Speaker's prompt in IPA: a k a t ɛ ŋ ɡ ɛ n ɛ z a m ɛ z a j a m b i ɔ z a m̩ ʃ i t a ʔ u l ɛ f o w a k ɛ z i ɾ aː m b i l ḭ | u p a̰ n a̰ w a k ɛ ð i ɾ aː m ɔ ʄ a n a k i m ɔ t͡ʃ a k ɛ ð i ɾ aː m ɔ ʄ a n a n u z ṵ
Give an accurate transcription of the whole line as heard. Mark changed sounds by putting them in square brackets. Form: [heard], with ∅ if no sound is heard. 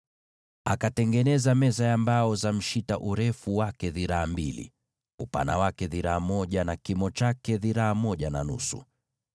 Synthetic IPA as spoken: a k a t ɛ ŋ ɡ ɛ n ɛ z a m ɛ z a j a m b [a] ɔ z a m̩ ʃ i t a ʔ u [ɾ] ɛ f [u] w a k ɛ [ð] i ɾ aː m b i l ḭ | u p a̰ n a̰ w a k ɛ ð i ɾ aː m ɔ ʄ a n a k i m ɔ t͡ʃ a k ɛ ð i ɾ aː m ɔ ʄ a n a n u [s] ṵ

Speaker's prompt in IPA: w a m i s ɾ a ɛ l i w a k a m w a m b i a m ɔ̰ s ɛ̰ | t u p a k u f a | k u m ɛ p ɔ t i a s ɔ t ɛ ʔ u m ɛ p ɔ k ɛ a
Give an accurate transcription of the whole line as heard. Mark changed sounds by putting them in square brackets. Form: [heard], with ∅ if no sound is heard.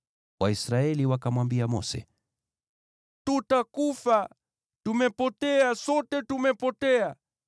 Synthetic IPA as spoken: w a [∅] i s ɾ a ɛ l i w a k a m w a m b i a m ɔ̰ s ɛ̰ | t u [t] a k u f a | [t] u m ɛ p ɔ t [ɛ] a s ɔ t ɛ [t] u m ɛ p ɔ [t] ɛ a

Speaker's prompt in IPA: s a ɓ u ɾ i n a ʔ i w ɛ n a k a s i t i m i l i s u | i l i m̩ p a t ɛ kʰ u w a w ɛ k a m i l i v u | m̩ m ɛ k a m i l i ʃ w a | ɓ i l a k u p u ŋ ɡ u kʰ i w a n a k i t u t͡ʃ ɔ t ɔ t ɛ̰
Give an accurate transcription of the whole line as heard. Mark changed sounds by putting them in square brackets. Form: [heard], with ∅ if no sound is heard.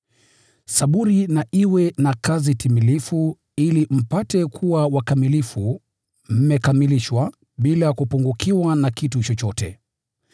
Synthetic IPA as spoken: s a ɓ u ɾ i n a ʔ i w ɛ n a k a [z] i t i m i l i [f] u | i l i m̩ p a t ɛ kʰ u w a w [a] k a m i l i [f] u | m̩ m ɛ k a m i l i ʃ w a | ɓ i l a k u p u ŋ ɡ u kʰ i w a n a k i t u t͡ʃ ɔ [t͡ʃ] ɔ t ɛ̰

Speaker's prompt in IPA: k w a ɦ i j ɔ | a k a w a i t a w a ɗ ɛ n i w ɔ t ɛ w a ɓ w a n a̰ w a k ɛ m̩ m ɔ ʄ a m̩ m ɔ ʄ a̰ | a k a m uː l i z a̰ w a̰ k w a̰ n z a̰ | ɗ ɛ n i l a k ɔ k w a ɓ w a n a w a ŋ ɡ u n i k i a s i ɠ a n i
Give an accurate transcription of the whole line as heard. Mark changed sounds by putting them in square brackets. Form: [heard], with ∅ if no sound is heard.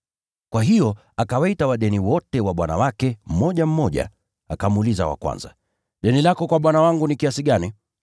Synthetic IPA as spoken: k w a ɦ i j ɔ | a k a w a i t a w a ɗ ɛ n i w ɔ t ɛ w a ɓ w a n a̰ w a k ɛ m̩ m ɔ ʄ a m̩ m ɔ ʄ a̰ | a k a m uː l i z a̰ w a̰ k w a̰ n z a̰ | ɗ ɛ n i l a k ɔ k w a ɓ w a n a w a ŋ ɡ u n i k i a s i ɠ a n i

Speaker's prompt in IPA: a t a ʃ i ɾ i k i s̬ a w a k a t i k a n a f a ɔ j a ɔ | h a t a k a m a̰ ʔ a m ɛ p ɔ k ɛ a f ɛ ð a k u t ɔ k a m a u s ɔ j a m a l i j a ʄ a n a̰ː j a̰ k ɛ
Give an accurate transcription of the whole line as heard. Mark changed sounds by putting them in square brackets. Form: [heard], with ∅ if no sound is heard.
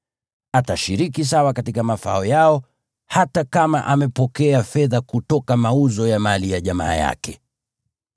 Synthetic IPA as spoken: a t a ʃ i ɾ i k i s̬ a w a k a t i k a [m] a f a ɔ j a ɔ | h a t a k a m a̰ ʔ a m ɛ p ɔ k ɛ a f ɛ ð a k u t ɔ k a m a u [z] ɔ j a m a l i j a ʄ a [m] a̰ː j a̰ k ɛ

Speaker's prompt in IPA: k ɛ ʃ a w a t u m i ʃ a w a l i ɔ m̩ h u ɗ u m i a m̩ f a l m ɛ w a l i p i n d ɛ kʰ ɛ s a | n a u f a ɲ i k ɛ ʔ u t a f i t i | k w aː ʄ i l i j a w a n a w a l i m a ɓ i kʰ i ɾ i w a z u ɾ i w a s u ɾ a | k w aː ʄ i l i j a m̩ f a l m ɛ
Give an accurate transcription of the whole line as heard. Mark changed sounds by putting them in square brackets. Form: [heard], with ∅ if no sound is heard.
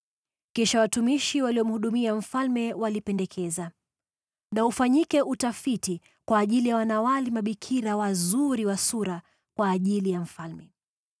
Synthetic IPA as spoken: k ɛ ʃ a w a t u m i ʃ [i] w a l i ɔ m̩ h u ɗ u m i a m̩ f a l m ɛ w a l i p [ɛ] n d ɛ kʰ ɛ [z] a | n a u f a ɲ i k ɛ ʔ u t a f i t i | k w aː ʄ i l i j a w a n a w a l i m a ɓ i kʰ i ɾ [a] w a z u ɾ i w a s u ɾ a | k w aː ʄ i l i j a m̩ f a l m ɛ

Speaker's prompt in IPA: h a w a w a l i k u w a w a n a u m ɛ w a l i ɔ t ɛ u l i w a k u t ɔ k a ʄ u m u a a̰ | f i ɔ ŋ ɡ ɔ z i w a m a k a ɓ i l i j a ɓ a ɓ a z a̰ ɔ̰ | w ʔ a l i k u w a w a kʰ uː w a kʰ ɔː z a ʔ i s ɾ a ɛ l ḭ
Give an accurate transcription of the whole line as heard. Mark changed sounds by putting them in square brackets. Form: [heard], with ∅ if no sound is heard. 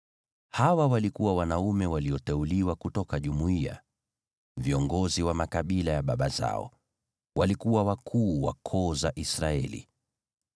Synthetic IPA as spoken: h a w a w a l i k u w a w a n a u m ɛ w a l i ɔ t ɛ u l i w a k u t ɔ k a ʄ u m u [i] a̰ | [v] i ɔ ŋ ɡ ɔ z i w a m a k a ɓ i l [a] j a ɓ a ɓ a z a̰ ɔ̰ | w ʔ a l i k u w a w a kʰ uː w a kʰ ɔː z a ʔ i s ɾ a ɛ l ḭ

